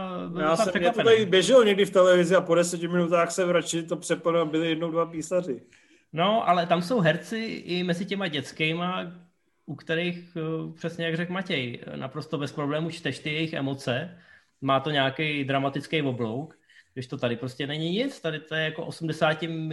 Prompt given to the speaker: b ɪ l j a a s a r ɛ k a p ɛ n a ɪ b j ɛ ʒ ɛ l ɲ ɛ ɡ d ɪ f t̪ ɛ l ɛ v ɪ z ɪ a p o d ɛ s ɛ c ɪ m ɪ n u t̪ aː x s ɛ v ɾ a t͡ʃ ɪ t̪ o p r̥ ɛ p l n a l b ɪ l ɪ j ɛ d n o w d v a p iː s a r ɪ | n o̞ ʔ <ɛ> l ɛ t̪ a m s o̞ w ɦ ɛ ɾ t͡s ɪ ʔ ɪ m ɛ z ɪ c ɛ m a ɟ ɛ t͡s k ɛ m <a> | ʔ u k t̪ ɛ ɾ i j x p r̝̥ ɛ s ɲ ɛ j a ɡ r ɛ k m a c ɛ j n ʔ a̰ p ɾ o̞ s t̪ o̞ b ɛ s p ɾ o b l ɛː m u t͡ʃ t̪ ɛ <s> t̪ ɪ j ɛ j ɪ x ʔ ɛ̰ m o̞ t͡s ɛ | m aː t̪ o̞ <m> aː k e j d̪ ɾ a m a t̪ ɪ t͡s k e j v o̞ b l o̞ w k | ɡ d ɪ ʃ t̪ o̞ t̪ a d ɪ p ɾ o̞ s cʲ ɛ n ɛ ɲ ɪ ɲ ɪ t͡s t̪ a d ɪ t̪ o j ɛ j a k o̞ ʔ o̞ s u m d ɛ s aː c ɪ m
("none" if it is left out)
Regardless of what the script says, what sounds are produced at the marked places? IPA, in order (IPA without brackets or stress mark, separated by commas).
a, a, ʃ, ɲ